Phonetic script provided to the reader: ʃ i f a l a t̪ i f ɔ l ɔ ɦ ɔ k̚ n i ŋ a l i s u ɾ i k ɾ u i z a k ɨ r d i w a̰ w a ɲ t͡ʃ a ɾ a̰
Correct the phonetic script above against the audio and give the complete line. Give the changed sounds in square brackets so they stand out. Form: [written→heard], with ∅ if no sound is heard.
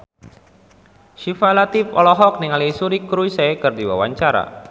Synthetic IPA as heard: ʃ i f a l a t̪ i f ɔ l ɔ ɦ ɔ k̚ n i ŋ a l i s u ɾ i k ɾ u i [z→s] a k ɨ r d i w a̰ w a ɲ t͡ʃ a ɾ a̰